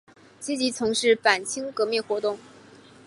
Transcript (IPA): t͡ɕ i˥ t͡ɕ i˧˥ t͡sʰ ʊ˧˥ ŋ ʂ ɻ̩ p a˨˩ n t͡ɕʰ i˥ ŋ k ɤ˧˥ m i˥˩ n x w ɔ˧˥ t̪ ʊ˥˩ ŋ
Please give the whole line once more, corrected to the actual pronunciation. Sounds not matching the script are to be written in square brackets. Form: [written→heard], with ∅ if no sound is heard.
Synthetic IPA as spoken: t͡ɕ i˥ t͡ɕ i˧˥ t͡sʰ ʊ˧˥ ŋ ʂ ɻ̩ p a˨˩ n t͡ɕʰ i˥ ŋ k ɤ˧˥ m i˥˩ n x w ɔ˧˥ t̪ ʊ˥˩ ŋ